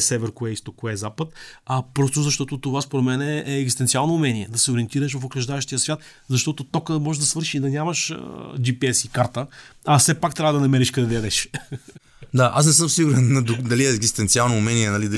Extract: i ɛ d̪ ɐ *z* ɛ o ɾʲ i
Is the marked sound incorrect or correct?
incorrect